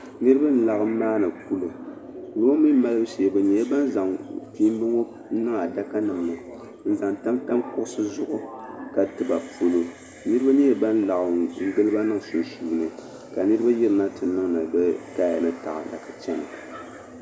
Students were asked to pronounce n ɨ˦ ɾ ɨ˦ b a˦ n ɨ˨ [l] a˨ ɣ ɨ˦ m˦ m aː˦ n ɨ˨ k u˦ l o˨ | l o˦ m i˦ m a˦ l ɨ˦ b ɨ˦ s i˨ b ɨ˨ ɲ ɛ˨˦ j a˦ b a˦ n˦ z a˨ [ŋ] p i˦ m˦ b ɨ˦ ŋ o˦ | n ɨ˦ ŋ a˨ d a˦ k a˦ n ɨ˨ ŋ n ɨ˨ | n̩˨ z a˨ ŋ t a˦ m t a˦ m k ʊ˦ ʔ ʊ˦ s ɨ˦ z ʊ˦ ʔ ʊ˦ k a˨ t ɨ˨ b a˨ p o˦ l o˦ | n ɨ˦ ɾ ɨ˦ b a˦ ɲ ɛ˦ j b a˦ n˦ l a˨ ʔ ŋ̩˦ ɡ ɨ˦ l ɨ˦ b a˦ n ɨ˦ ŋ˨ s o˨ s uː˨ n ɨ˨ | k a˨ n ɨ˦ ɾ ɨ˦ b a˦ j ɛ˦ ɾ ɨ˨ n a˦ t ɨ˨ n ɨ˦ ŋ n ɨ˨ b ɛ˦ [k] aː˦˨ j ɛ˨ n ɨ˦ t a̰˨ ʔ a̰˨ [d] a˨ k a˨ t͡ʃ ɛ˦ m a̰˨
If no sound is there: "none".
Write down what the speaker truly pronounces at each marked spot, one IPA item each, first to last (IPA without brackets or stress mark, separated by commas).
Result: l, ŋ, k, d